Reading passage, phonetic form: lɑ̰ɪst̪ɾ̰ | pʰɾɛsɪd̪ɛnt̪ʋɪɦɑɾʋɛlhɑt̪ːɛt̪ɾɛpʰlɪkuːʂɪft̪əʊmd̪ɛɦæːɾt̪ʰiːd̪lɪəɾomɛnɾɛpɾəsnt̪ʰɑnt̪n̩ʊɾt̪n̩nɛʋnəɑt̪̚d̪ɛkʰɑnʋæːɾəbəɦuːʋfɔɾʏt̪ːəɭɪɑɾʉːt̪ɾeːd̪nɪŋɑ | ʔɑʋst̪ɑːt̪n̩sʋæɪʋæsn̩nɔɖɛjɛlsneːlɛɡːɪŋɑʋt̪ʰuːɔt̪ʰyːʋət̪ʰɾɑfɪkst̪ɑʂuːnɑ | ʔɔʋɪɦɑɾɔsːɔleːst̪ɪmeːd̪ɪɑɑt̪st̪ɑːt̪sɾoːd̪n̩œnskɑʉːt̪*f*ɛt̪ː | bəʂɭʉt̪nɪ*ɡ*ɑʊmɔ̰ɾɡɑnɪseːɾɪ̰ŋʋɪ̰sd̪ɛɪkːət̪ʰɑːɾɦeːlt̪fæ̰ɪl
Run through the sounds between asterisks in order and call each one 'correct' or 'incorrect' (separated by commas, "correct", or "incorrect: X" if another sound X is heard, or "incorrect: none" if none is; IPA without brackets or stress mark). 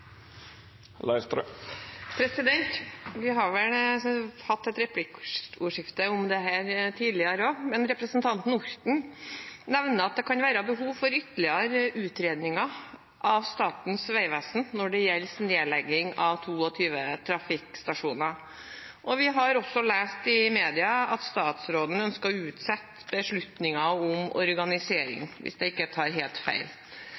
incorrect: s, incorrect: ŋ